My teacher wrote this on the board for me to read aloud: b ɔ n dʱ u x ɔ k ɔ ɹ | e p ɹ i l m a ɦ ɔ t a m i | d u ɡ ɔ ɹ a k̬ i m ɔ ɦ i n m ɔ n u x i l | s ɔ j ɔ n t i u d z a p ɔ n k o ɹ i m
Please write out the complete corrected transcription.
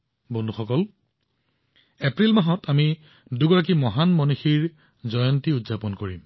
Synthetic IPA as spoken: b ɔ n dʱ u x ɔ k ɔ l | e p ɹ i l m a ɦ ɔ t a m i | d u ɡ ɔ ɹ a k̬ i m ɔ ɦ a n m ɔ n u x i ɹ | z ɔ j ɔ n t i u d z a p ɔ n k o ɹ i m